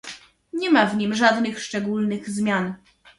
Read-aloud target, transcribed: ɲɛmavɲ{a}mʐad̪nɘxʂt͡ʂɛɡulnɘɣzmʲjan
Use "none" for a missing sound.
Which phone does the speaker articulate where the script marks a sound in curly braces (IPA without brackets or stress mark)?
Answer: i